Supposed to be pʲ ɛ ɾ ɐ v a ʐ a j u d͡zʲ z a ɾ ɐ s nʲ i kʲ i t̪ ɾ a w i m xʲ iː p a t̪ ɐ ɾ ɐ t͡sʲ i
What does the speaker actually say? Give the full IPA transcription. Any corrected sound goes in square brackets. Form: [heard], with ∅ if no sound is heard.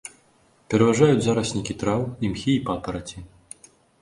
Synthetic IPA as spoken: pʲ ɛ ɾ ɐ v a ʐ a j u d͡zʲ z a ɾ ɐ s nʲ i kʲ i t̪ ɾ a w i m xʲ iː p a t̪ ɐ ɾ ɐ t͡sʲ i